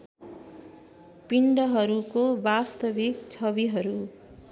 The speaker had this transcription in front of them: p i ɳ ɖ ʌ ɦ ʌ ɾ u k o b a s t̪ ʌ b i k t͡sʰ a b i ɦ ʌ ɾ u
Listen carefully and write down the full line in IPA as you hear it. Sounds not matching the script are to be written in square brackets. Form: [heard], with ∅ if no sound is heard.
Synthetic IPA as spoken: p i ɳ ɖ ʌ ɦ ʌ ɾ u k o b a s t̪ ʌ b i k t͡sʰ [ʌ] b i ɦ ʌ ɾ u